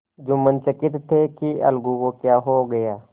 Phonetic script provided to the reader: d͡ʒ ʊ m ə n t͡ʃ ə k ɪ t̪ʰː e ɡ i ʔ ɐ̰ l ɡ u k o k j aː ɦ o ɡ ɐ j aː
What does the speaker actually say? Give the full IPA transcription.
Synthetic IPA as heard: d͡ʒ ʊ m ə n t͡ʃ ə k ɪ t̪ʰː e k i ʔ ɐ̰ l ɡ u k o k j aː ɦ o ɡ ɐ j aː